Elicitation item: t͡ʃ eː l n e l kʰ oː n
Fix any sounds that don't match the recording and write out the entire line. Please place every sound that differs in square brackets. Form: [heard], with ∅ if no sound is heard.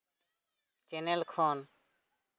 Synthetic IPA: t͡ʃ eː [∅] n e l kʰ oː n